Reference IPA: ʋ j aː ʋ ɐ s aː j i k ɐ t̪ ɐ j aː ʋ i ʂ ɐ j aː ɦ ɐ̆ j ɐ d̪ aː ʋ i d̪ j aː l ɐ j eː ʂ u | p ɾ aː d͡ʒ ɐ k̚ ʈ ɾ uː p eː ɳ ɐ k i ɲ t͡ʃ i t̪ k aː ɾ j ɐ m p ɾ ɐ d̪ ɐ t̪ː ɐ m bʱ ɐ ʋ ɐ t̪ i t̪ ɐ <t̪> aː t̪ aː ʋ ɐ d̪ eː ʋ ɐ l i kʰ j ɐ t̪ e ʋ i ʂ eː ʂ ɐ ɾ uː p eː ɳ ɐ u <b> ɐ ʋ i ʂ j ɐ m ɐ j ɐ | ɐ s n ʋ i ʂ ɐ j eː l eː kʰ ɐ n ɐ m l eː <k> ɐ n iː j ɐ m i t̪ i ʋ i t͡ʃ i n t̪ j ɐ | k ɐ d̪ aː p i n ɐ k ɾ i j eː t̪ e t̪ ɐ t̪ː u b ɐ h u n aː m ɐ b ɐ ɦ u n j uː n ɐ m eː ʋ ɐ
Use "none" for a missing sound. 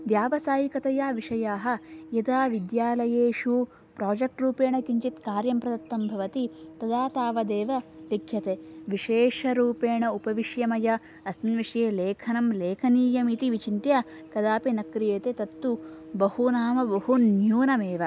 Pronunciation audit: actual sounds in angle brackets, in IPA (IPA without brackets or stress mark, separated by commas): d̪, p, kʰ